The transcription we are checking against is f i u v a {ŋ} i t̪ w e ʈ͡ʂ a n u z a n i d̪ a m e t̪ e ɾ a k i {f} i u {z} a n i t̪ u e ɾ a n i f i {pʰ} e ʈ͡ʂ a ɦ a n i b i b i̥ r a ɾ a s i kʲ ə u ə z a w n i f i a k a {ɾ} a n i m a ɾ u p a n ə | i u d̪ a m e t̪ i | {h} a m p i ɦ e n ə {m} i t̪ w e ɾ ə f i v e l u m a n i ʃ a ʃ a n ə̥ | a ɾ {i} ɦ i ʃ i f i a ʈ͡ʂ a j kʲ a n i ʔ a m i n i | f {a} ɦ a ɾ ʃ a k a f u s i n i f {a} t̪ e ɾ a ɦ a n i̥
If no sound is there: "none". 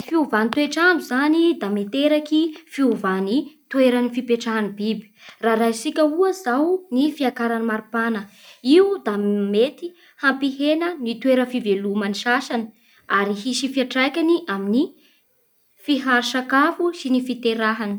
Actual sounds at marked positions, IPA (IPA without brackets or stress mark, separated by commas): n, f, v, p, ɾ, h, n, i, i, i